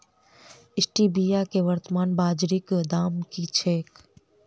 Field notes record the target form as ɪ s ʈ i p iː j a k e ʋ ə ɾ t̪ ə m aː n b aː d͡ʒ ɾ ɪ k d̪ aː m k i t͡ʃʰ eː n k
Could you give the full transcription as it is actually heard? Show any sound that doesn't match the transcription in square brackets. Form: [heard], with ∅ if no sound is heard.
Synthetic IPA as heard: ɪ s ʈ i [b] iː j a k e ʋ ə ɾ t̪ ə m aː n b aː d͡ʒ ɾ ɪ k d̪ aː m k i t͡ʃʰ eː [∅] k